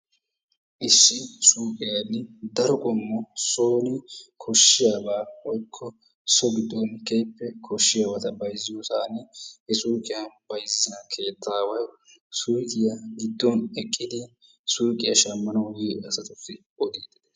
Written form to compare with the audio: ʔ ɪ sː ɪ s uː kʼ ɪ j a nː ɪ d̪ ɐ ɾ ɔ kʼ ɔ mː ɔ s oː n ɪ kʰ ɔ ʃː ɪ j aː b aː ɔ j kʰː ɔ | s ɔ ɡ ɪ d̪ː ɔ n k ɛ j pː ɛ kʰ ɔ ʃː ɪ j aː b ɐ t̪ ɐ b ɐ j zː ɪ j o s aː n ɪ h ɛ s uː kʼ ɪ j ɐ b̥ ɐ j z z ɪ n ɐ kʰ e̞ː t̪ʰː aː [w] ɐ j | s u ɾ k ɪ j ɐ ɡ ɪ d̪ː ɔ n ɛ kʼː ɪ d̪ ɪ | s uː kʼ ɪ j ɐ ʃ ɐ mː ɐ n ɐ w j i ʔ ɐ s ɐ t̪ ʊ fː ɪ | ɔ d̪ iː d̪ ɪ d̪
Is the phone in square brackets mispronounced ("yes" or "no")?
no